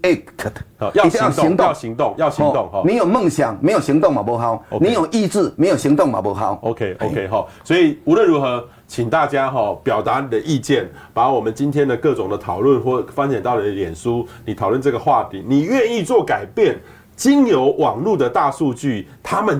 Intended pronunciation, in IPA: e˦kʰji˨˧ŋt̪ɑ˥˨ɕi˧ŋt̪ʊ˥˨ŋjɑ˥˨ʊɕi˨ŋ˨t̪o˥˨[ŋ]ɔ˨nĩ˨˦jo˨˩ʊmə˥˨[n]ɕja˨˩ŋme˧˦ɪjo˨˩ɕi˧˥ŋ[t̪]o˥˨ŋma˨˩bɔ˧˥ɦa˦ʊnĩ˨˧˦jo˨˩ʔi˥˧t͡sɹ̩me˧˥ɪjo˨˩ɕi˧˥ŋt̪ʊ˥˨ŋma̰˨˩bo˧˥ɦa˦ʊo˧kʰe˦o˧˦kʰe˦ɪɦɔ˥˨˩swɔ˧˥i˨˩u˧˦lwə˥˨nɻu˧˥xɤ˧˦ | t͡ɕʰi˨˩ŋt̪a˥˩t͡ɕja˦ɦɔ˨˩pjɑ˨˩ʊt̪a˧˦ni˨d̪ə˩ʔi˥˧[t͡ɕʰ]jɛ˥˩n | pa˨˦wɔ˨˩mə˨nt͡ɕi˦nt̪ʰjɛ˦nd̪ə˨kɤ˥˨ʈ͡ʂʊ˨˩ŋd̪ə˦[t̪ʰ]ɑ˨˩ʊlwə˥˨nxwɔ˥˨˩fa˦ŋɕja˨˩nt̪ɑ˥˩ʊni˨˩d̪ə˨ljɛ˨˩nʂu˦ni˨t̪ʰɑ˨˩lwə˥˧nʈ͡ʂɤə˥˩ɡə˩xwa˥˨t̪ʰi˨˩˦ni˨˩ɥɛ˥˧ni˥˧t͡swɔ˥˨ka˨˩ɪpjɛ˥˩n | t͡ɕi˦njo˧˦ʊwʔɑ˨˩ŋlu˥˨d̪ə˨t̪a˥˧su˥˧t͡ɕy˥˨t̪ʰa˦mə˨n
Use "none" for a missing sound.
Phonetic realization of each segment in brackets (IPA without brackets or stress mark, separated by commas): ŋ, ŋ, t̪, t͡ɕ, t̪ʰ